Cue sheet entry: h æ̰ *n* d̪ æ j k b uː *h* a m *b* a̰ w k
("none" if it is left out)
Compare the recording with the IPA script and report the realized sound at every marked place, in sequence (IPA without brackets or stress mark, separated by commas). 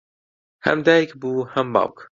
m, h, b